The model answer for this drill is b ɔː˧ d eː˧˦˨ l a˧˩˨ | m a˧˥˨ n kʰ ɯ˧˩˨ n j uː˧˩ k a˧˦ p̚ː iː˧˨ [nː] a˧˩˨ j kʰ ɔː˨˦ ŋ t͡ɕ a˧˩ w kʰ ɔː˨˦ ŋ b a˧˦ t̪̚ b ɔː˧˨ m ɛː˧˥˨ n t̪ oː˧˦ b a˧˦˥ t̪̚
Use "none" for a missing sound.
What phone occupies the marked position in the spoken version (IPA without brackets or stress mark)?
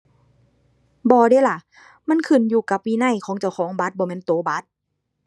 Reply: n